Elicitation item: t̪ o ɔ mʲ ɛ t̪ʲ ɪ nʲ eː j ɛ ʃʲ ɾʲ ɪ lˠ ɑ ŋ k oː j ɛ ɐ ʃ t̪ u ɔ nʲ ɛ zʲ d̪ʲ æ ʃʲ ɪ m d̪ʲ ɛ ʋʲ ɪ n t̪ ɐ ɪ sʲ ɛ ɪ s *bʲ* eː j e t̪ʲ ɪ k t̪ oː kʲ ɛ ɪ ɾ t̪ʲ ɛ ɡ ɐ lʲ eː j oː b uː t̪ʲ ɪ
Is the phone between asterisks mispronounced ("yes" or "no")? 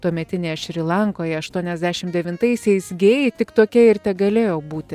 yes